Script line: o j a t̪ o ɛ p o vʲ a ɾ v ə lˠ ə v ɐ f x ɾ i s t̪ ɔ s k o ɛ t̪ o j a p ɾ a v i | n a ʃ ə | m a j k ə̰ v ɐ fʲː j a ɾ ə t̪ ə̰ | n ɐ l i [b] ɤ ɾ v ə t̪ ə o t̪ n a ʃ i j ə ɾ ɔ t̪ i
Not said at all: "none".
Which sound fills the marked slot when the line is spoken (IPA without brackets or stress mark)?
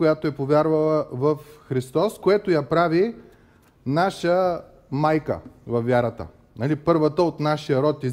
p